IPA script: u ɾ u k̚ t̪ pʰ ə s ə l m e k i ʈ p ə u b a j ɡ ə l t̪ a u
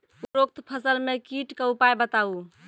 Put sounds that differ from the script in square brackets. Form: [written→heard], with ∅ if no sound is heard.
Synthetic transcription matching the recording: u ɾ [u→o] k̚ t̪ pʰ ə s ə l m e k i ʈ [p→k] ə u [b→p] a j [ɡ→b] ə [l→∅] t̪ a u